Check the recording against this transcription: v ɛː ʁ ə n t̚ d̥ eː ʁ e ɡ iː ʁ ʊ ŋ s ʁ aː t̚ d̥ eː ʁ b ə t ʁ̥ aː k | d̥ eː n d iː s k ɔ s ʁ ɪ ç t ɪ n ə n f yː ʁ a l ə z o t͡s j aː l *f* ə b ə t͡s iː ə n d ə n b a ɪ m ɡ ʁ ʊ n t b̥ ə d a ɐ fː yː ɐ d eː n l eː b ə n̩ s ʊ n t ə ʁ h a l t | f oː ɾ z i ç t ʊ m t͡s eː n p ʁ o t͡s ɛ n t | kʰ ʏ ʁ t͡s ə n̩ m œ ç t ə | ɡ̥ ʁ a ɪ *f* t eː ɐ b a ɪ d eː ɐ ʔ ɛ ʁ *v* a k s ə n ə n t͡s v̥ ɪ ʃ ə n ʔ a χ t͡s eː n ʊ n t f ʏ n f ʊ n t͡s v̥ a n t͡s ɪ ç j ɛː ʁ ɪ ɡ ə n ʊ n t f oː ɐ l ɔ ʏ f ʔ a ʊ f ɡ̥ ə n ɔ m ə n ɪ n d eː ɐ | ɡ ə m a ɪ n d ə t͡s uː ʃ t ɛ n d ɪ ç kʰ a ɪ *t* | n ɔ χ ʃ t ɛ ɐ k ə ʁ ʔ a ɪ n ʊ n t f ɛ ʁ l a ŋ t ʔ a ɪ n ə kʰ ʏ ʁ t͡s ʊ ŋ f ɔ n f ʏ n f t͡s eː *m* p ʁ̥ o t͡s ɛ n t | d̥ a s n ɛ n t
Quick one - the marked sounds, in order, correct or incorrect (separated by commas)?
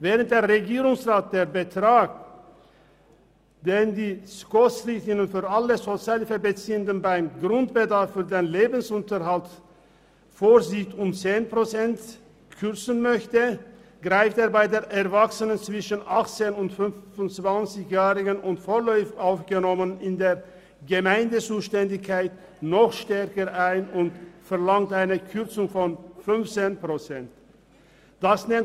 correct, correct, correct, correct, incorrect